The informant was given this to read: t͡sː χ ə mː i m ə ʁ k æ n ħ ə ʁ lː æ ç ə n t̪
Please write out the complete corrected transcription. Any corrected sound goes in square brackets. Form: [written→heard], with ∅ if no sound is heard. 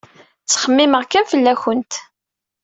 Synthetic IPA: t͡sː χ ə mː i m ə ʁ k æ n [ħ→f] ə [ʁ→∅] lː æ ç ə n t̪